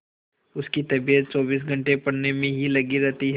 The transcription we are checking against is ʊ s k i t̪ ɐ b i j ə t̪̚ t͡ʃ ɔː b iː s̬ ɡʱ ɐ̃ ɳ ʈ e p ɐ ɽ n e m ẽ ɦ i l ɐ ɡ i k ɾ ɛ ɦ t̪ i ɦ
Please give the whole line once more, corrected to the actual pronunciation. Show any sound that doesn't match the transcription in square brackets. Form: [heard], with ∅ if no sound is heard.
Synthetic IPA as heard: ʊ s k i t̪ ɐ b i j ə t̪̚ t͡ʃ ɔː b iː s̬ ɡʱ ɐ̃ ɳ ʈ e p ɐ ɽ n e m ẽ ɦ i l ɐ ɡ i [∅] ɾ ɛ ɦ t̪ i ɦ